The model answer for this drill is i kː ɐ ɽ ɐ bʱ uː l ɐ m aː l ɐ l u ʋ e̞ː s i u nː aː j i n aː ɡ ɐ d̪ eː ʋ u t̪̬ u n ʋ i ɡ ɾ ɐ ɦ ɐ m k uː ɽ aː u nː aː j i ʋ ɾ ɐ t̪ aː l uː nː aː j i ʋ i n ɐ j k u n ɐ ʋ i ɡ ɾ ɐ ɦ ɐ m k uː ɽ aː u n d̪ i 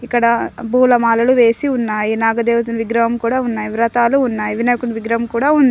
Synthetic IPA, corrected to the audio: i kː ɐ ɽ ɐ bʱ uː l ɐ m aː l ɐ l u ʋ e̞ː s i u nː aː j i n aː ɡ ɐ d̪ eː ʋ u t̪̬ u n ʋ i ɡ ɾ ɐ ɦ ɐ m k uː ɽ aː u nː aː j i ʋ ɾ ɐ t̪ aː l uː nː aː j i ʋ i n ɐ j k u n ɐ ʋ i ɡ ɾ ɐ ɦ ɐ m k uː ɽ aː u n d̪ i

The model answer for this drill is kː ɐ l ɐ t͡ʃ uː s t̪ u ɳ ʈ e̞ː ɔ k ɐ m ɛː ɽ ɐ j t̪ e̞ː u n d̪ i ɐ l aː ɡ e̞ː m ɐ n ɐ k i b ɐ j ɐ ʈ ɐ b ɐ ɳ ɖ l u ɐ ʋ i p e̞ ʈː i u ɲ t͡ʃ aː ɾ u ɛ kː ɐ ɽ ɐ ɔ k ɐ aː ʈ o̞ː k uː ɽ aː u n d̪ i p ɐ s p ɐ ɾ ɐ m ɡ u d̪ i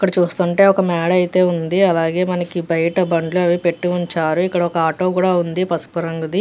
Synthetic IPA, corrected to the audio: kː ɐ ɽ ɐ t͡ʃ uː s t̪ u ɳ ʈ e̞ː ɔ k ɐ m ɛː ɽ ɐ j t̪ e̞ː u n d̪ i ɐ l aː ɡ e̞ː m ɐ n ɐ k i b ɐ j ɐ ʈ ɐ b ɐ ɳ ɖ l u ɐ ʋ i p e̞ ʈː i u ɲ t͡ʃ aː ɾ u i kː ɐ ɽ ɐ ɔ k ɐ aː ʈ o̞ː k uː ɽ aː u n d̪ i p ɐ s p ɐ ɾ ɐ ŋ ɡ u d̪ i

